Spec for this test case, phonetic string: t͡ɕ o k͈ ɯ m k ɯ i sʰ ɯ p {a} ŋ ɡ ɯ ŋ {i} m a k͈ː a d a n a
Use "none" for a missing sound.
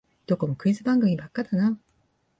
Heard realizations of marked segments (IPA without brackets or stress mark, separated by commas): a, i